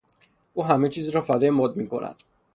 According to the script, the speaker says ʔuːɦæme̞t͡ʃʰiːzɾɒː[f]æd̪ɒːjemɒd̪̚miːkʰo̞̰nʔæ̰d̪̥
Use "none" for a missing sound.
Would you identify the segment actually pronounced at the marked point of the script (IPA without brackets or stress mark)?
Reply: f